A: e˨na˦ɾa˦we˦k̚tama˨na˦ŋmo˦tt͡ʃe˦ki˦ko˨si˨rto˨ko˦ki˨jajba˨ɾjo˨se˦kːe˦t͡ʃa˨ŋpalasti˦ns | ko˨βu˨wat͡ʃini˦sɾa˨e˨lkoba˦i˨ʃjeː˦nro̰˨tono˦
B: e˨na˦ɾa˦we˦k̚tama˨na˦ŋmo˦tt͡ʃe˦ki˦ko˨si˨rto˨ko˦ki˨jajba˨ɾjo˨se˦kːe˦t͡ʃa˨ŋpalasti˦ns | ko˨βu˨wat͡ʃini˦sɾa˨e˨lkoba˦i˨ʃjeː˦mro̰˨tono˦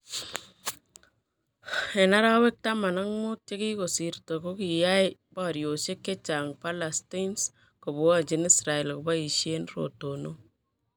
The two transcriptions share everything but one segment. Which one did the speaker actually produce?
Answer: A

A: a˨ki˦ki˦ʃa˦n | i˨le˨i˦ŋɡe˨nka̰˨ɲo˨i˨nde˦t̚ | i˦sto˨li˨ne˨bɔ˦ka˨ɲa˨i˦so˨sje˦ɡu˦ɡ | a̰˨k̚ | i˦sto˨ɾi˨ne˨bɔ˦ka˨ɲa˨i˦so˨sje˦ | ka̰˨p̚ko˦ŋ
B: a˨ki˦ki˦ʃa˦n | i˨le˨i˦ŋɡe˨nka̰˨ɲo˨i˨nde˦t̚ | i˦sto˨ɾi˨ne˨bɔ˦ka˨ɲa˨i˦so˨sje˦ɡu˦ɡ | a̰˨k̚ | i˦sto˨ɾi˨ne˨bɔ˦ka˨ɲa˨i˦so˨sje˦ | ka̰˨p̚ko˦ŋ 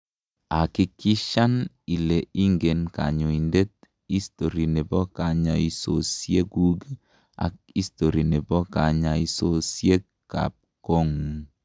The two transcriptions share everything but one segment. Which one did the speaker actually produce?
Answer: B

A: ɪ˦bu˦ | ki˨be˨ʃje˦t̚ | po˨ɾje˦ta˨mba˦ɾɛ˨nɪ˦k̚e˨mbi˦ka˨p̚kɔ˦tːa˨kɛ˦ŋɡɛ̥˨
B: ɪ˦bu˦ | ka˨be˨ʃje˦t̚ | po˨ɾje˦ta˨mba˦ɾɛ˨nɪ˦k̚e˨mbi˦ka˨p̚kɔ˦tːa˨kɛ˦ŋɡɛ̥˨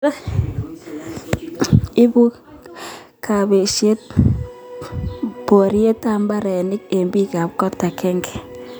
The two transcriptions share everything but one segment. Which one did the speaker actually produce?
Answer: B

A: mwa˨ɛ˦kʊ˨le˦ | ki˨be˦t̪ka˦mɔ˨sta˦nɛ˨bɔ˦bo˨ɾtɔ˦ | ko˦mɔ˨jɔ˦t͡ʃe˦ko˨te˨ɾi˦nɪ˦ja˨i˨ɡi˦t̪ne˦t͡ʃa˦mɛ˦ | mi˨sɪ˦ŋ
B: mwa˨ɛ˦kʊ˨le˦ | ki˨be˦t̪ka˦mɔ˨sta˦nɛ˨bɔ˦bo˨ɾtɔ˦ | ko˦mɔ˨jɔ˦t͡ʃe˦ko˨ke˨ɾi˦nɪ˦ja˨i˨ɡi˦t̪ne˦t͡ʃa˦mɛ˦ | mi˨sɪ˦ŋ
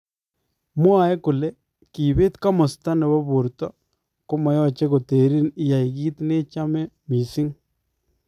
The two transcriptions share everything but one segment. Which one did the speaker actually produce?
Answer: A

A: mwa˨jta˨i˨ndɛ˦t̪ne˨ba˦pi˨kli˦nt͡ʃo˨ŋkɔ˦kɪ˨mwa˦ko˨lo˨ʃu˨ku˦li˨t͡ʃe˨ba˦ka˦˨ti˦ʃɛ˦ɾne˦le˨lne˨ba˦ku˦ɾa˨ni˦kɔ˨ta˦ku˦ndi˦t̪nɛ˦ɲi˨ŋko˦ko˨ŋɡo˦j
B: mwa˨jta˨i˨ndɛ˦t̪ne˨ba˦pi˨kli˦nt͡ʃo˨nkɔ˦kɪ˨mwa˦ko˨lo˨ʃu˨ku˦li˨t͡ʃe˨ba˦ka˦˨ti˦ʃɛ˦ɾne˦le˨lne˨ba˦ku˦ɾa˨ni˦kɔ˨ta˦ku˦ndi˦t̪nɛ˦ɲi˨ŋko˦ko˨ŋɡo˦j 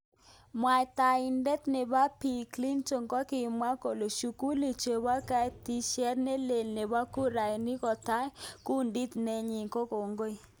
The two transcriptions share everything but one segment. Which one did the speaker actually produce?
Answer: A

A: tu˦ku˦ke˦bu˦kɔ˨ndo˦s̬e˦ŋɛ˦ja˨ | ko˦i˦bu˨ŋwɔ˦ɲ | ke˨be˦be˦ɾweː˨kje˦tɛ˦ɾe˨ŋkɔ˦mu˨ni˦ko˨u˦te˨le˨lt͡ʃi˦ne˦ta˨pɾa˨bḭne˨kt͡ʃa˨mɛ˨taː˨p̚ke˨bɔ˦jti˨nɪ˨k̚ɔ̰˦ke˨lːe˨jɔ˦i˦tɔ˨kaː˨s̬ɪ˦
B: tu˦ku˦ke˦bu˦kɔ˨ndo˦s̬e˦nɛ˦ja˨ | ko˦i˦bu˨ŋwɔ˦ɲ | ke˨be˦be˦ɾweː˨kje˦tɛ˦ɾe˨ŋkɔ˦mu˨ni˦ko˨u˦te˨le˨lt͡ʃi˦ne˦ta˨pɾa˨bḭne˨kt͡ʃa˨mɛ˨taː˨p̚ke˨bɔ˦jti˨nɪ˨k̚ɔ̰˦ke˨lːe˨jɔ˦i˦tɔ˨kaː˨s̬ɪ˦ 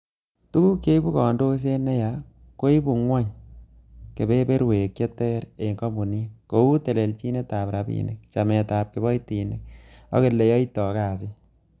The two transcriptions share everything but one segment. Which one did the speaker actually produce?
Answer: B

